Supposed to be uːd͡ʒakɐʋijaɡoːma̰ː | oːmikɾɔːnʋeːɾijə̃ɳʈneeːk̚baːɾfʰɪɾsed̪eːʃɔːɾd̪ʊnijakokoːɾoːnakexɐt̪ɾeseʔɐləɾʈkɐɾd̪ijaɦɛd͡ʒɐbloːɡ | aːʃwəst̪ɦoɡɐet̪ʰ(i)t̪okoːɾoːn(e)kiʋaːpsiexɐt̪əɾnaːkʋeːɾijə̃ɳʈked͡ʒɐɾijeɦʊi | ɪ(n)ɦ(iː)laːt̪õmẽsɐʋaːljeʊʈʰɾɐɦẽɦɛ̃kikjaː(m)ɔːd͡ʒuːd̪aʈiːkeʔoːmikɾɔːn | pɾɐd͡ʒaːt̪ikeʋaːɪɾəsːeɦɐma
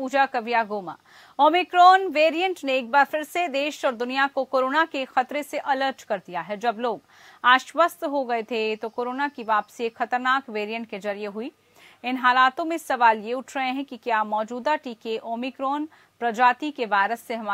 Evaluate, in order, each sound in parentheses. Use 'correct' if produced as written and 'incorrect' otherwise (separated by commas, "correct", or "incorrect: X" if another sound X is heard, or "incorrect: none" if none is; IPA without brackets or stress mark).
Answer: incorrect: e, incorrect: a, correct, incorrect: aː, correct